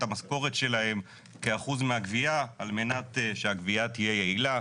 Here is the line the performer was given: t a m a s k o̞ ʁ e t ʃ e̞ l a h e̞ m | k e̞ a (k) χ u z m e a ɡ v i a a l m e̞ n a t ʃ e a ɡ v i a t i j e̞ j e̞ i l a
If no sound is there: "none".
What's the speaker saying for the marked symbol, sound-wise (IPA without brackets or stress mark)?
none